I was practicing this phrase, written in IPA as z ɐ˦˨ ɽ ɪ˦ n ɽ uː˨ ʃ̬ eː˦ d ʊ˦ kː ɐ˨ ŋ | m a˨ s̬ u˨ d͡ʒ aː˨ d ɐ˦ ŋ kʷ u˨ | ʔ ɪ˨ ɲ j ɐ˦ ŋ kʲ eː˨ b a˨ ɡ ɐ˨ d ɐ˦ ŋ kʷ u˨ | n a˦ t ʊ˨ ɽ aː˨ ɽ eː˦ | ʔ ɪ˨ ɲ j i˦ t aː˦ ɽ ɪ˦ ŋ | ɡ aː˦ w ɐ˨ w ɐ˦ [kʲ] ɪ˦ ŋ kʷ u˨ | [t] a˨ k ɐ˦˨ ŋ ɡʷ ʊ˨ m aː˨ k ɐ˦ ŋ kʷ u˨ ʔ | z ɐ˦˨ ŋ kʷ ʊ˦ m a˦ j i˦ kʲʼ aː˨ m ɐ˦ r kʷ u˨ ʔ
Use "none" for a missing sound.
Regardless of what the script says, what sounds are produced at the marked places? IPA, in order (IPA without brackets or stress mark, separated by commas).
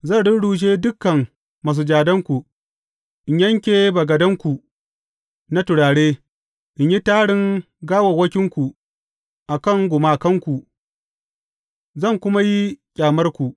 kʲ, ʔ